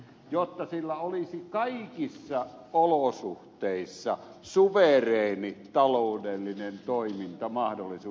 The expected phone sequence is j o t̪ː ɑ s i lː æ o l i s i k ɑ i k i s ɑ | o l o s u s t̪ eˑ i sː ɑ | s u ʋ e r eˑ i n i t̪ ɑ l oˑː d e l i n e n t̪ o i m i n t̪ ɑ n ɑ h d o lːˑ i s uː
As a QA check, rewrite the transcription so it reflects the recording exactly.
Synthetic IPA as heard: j o t̪ː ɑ s i lː æ o l i s i k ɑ i k i sː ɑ | o l o s u h t̪ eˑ i sː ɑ | s u ʋ e r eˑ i n i t̪ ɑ l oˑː d e lː i n e n t̪ o i m i n t̪ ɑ m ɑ h d o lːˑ i s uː

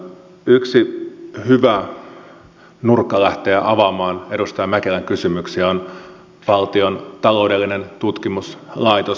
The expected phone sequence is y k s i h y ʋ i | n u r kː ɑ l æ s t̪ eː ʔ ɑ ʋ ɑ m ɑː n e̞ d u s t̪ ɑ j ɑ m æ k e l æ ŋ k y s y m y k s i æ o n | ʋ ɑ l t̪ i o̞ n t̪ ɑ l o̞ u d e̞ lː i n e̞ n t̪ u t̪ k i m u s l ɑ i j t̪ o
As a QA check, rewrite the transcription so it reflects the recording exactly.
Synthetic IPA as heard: y k s i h y ʋ æ | n u r kː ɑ l æ h t̪ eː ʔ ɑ ʋ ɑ m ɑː n e̞ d u s t̪ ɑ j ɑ m æ k e l æ ŋ k y s y m y k s i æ o n | ʋ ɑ l t̪ i o̞ n t̪ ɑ l o̞ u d e̞ lː i n e̞ n t̪ u t̪ k i m u s l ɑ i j t̪ o

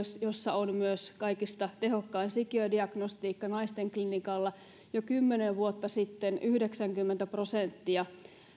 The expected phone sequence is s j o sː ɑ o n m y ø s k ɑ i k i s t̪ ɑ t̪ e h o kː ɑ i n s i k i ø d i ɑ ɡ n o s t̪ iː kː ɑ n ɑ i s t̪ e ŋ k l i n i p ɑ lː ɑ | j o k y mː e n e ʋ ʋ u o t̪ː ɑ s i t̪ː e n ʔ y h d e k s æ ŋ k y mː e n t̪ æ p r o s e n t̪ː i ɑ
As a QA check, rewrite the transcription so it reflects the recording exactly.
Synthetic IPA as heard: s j o sː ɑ o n m y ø s k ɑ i k i s t̪ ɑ t̪ e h o kː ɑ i n s i k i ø d i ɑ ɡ n o s t̪ iː kː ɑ n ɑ i s t̪ e ŋ k l i n i k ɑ lː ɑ | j o k y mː e n e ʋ ʋ u o t̪ː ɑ s i t̪ː e n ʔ y h d e k s æ ŋ k y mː e n t̪ æ p r o s e n t̪ː i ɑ

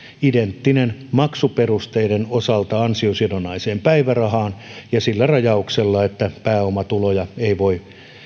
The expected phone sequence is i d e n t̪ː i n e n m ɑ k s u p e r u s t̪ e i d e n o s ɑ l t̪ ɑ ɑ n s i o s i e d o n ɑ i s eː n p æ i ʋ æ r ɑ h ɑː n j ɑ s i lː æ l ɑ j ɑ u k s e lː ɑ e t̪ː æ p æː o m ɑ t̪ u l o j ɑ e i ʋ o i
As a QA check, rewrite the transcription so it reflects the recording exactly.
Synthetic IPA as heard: i d e n t̪ː i n e n m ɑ k s u p e r u s t̪ e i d e n o s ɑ l t̪ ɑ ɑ n s i o s i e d o n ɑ i s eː m p æ i ʋ æ r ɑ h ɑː n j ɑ s i lː æ r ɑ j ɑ u k s e lː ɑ e t̪ː æ p æː o m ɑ t̪ u l o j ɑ e i ʋ o i

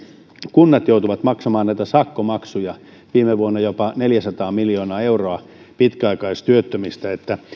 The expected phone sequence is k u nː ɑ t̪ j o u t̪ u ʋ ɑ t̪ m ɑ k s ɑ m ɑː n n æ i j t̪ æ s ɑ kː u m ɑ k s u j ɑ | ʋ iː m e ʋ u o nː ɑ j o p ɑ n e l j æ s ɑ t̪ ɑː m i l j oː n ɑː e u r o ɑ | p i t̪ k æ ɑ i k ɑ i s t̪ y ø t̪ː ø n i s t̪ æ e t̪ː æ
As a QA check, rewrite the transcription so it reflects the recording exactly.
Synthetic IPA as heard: k u nː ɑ t̪ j o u t̪ u ʋ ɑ t̪ m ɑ k s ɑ m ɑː n n æ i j t̪ æ s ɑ kː o m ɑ k s u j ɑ | ʋ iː m e ʋ u o nː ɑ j o p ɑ n e l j æ s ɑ t̪ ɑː m i l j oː n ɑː e u r o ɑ | p i t̪ k æ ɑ i k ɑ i s t̪ y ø t̪ː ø m i s t̪ æ e t̪ː æ

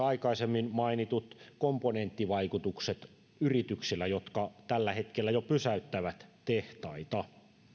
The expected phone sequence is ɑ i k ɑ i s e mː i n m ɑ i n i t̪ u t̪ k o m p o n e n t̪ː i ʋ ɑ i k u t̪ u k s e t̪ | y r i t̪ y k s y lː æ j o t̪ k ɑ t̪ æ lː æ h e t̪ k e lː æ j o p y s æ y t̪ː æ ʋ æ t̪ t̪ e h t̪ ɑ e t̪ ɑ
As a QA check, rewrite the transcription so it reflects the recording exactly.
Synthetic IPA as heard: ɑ i k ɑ i s e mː i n m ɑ i n i t̪ u t̪ k o m p o n e n t̪ː i ʋ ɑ i k u t̪ u k s e t̪ | y r i t̪ y k s i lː æ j o t̪ k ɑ t̪ æ lː æ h e t̪ k e lː æ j o p y s æ y t̪ː æ ʋ æ t̪ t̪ e h t̪ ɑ i t̪ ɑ

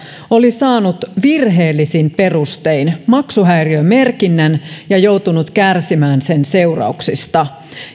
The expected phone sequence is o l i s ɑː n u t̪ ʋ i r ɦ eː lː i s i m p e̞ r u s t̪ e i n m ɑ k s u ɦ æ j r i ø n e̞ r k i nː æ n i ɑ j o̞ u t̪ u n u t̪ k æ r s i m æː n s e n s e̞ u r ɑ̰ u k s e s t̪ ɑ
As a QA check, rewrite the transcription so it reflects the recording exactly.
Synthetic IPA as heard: o l i s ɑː n u t̪ ʋ i r ɦ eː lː i s i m p e̞ r u s t̪ e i n m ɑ k s u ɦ æ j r i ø m e̞ r k i nː æ n j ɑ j o̞ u t̪ u n u t̪ k æ r s i m æː n s e n s e̞ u r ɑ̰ u k s i s t̪ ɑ

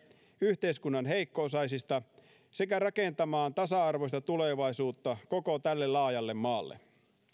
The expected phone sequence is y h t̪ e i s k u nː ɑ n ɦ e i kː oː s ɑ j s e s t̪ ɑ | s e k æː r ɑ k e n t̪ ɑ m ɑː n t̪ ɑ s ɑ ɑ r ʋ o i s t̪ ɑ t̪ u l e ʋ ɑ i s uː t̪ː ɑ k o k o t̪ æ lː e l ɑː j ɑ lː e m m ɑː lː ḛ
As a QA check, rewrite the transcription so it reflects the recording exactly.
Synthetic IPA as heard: y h t̪ e i s k u nː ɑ n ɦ e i kː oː s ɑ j s i s t̪ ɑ | s e k æ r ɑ k e n t̪ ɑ m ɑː n t̪ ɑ s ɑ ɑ r ʋ o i s t̪ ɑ t̪ u l e ʋ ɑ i s uː t̪ː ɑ k o k o t̪ æ lː e l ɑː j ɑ lː e m m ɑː lː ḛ

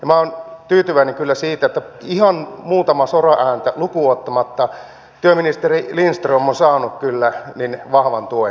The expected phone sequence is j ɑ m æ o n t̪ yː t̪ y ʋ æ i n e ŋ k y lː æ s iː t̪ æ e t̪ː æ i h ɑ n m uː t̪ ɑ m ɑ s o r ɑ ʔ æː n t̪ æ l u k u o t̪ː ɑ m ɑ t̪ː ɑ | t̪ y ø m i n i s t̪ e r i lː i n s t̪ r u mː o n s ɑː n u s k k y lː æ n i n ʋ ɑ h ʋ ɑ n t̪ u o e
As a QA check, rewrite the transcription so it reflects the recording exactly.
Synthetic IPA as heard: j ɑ m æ o n t̪ yː t̪ y ʋ æ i n e ŋ k y lː æ s iː t̪ æ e t̪ː æ i h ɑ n m uː t̪ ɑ m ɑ s o r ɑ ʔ æː n t̪ æ l u k u o t̪ː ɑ m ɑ t̪ː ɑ | t̪ y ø m i n i s t̪ e r i l i n s t̪ r o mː o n s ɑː n u k k y lː æ n i n ʋ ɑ h ʋ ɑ n t̪ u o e

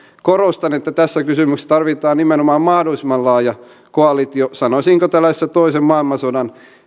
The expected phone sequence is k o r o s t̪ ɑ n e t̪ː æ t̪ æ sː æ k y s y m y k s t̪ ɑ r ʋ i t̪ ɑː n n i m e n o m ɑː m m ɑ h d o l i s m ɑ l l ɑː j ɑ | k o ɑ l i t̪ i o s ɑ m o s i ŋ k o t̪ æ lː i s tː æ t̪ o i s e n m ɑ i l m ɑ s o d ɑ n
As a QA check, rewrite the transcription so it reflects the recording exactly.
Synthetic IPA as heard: k o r o s t̪ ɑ n e t̪ː æ t̪ æ sː æ k y s y m y k s t̪ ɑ r ʋ i t̪ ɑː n n i m e n o m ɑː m m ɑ h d o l i s m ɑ l l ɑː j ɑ | k o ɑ l i t̪ i o s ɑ n o s i ŋ k o t̪ æ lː æ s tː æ t̪ o i s e m m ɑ i l m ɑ s o d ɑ n

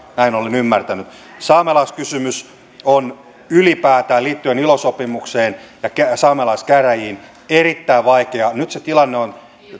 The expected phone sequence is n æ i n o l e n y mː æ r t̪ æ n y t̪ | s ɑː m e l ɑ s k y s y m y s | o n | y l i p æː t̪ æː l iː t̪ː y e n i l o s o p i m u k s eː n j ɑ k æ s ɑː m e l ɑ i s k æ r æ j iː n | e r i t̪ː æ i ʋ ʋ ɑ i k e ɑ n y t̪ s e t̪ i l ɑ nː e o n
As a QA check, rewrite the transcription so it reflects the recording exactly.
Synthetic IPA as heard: n æ i n o l e n y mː æ r t̪ æ n y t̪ | s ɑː m e l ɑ s k y s y m y s | o n | y l i p æː t̪ æː l iː t̪ː y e n i l o s o p i m u k s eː n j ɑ k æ s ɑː m e l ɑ i s k æ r æ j iː n | e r i t̪ː æ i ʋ ʋ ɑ i k e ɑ n y t̪ s e t̪ i l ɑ nː e o n

